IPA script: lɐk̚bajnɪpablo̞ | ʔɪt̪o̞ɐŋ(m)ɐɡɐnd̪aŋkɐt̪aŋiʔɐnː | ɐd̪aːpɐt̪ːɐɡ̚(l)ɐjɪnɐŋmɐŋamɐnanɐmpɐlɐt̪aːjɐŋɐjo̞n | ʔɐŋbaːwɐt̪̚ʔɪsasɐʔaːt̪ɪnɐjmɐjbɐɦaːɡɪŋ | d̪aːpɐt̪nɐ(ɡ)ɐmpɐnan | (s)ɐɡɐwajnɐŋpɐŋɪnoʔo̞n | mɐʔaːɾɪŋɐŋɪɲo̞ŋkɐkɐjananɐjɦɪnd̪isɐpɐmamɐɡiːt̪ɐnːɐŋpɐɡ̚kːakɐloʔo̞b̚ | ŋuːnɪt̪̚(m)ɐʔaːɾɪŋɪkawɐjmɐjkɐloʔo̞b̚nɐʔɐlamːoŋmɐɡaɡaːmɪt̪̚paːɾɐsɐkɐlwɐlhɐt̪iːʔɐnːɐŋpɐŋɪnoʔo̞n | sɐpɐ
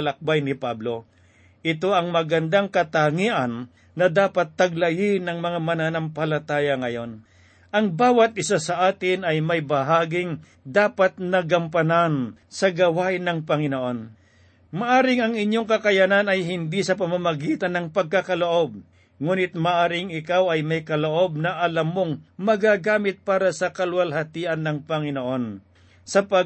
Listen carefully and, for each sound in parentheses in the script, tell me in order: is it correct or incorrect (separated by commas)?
correct, correct, correct, correct, correct